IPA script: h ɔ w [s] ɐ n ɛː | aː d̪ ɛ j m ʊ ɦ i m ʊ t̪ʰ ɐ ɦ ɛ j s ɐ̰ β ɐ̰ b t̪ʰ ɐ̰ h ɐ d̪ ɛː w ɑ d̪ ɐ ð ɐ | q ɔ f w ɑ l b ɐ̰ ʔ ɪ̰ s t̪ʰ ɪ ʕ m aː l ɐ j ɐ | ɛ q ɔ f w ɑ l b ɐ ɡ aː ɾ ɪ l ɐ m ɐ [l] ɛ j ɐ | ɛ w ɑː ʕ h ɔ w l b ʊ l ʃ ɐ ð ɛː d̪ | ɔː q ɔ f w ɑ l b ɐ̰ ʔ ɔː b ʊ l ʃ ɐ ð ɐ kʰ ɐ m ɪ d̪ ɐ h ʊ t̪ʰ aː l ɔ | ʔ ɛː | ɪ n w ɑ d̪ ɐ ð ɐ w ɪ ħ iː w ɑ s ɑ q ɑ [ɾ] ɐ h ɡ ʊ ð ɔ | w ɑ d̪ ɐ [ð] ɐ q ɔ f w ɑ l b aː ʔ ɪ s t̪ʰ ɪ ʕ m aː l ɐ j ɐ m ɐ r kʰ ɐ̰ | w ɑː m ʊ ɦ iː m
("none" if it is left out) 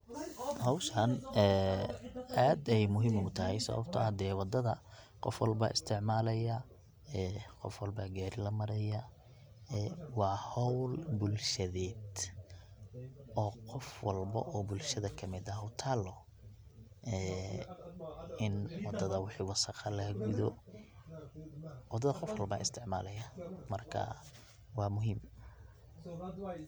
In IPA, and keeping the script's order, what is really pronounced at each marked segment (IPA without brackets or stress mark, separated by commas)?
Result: ʃ, ɾ, l, ð